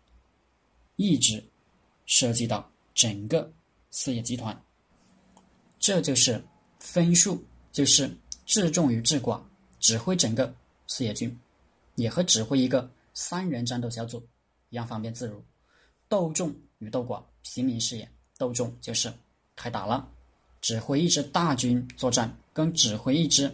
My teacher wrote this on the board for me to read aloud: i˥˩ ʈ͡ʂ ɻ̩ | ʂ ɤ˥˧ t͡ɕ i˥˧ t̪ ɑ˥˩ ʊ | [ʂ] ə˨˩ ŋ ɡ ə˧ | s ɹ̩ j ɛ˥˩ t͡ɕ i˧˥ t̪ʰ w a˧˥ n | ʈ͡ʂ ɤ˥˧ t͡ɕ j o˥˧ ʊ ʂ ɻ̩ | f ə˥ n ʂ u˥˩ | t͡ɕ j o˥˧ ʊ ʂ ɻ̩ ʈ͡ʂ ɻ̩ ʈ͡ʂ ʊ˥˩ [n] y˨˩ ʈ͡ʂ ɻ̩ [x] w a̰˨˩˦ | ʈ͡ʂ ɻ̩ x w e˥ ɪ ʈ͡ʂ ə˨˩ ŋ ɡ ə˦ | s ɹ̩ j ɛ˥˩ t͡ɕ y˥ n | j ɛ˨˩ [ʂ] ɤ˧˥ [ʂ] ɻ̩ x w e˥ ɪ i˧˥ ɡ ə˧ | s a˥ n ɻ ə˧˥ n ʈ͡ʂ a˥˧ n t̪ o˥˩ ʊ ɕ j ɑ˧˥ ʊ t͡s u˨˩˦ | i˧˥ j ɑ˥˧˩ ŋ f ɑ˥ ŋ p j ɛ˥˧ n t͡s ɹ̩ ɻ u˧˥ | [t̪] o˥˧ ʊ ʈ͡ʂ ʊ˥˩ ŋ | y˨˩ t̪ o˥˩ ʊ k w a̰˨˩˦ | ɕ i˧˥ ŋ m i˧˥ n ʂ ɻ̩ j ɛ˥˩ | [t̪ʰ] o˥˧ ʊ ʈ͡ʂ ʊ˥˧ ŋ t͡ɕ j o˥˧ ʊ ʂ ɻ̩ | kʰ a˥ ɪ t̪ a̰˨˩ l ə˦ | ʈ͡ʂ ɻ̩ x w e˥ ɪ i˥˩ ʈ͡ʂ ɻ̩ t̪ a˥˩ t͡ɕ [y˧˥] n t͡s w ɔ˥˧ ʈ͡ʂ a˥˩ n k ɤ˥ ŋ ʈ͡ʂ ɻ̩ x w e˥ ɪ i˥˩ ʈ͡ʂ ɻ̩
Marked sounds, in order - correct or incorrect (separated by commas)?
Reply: incorrect, incorrect, incorrect, incorrect, incorrect, correct, incorrect, incorrect